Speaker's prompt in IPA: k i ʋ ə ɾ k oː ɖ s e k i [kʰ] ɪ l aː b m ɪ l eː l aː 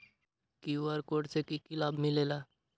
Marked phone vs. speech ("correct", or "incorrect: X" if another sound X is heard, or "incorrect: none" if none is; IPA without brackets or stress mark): incorrect: k